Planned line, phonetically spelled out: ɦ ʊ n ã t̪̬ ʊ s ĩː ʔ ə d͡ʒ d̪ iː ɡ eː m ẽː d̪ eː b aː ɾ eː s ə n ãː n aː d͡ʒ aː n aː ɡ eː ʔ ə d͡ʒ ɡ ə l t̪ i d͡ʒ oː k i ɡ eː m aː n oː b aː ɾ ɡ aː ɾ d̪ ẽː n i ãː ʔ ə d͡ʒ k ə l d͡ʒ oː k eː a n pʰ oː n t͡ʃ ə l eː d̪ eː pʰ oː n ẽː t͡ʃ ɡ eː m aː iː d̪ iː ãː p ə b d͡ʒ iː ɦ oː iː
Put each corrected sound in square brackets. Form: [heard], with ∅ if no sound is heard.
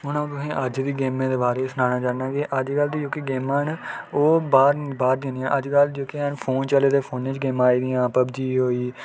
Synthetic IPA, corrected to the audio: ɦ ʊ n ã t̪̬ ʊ s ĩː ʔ ə d͡ʒ d̪ iː ɡ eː m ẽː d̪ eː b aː ɾ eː s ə n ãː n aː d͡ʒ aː n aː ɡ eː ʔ ə d͡ʒ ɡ ə l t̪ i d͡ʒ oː k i ɡ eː m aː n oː b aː ɾ [b] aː ɾ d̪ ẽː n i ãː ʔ ə d͡ʒ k ə l d͡ʒ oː k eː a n pʰ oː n t͡ʃ ə l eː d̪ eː pʰ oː n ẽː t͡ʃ ɡ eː m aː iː d̪ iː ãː p ə b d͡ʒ iː ɦ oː iː